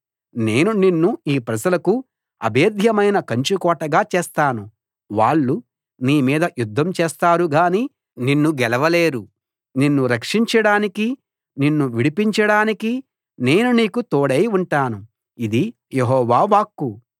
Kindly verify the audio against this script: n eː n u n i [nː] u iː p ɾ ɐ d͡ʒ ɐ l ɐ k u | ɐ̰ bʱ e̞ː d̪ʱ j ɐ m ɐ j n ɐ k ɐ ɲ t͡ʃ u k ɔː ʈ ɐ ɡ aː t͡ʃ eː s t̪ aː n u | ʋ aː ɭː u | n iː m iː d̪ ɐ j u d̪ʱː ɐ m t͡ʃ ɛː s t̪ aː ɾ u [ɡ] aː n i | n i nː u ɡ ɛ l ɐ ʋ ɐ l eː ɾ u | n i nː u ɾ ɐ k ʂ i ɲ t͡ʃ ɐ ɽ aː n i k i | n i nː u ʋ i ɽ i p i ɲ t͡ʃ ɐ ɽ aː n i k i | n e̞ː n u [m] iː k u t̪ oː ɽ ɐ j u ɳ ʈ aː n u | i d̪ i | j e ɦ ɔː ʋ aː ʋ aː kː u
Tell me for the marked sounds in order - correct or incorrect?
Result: correct, correct, incorrect: n

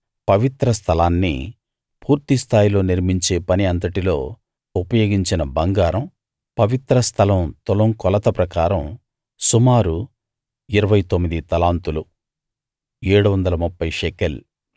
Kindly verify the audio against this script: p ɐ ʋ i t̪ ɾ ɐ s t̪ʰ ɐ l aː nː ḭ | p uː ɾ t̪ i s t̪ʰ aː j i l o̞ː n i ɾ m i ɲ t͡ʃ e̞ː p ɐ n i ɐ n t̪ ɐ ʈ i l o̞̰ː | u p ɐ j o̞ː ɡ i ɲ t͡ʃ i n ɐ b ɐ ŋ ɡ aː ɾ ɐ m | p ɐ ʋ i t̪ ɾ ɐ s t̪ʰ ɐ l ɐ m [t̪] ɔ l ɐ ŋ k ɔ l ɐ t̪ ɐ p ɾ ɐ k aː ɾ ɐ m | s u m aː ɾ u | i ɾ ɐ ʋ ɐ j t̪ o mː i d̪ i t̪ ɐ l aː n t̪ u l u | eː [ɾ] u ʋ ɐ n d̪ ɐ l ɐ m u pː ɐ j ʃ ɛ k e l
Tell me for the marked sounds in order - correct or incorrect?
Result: correct, incorrect: ɽ

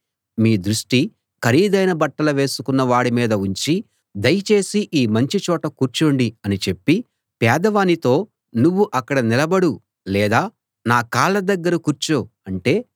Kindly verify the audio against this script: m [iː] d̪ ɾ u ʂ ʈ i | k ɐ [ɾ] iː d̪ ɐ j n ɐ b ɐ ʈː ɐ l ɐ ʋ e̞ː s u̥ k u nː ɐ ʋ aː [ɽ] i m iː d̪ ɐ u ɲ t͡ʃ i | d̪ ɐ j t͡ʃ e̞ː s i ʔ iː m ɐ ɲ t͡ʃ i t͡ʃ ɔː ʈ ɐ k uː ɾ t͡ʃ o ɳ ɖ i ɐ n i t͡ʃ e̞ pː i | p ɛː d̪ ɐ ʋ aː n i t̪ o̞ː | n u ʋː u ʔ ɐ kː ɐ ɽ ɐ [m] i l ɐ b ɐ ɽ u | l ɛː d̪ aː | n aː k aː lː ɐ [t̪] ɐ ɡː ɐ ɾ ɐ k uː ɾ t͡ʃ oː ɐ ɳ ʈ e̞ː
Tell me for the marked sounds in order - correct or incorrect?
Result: correct, correct, correct, incorrect: n, incorrect: d̪

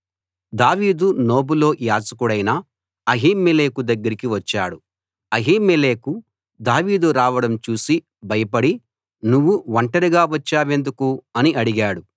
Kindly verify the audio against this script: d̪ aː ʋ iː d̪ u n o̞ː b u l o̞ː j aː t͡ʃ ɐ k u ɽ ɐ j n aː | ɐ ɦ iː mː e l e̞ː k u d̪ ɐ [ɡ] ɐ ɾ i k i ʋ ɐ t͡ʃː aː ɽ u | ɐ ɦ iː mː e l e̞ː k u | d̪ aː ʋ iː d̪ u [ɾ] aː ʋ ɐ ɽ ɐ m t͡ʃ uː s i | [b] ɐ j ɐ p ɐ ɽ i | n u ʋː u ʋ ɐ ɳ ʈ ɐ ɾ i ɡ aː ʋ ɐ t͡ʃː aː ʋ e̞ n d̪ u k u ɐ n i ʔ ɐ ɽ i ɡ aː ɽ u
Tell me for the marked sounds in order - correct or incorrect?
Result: incorrect: ɡː, correct, correct

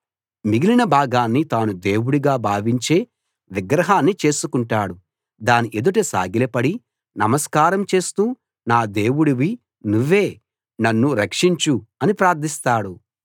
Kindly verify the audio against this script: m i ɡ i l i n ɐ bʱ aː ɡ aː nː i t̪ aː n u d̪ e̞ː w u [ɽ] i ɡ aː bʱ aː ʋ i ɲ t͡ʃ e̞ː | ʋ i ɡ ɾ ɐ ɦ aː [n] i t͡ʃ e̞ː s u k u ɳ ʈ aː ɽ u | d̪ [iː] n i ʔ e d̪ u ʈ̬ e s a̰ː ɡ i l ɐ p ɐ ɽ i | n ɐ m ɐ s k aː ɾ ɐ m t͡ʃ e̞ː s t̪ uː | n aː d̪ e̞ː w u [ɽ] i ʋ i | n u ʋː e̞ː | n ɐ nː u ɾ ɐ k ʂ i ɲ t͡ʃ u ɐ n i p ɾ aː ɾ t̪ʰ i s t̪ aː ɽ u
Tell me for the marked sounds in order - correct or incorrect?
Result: correct, incorrect: nː, incorrect: aː, correct

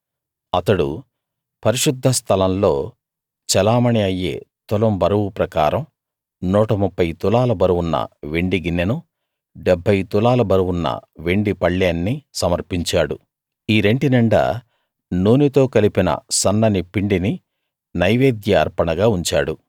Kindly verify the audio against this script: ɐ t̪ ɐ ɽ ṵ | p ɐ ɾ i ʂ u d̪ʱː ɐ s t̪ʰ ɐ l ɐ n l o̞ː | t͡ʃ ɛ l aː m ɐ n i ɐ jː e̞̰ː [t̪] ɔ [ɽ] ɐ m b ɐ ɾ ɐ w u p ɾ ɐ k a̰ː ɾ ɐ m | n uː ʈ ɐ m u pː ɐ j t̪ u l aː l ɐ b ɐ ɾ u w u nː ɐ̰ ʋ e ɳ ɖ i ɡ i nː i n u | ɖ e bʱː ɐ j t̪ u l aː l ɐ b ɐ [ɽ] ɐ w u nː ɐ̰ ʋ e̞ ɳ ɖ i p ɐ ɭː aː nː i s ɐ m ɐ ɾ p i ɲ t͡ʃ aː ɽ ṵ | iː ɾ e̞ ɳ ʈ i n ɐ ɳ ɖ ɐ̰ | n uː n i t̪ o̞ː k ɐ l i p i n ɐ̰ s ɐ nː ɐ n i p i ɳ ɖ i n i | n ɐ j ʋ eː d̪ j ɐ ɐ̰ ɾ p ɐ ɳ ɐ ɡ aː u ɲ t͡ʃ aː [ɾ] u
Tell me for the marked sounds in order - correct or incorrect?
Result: correct, incorrect: l, incorrect: ɾ, incorrect: ɽ

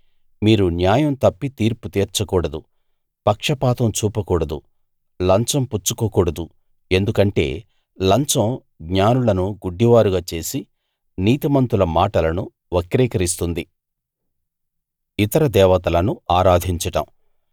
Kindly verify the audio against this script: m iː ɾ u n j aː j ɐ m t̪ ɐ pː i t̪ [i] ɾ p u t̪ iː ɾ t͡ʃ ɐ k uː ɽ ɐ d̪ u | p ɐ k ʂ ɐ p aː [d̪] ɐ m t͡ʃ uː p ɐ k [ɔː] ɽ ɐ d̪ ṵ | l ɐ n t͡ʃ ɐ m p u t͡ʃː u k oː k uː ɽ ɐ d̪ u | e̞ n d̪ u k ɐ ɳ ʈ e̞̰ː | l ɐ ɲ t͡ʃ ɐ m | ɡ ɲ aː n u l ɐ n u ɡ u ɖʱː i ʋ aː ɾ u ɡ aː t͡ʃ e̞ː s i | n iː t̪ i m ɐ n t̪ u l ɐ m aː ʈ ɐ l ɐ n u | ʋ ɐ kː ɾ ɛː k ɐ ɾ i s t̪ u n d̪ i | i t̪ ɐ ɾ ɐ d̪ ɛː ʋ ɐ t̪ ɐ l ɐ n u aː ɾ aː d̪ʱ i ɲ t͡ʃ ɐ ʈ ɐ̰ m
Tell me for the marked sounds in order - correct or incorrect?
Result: incorrect: iː, incorrect: t̪, incorrect: uː

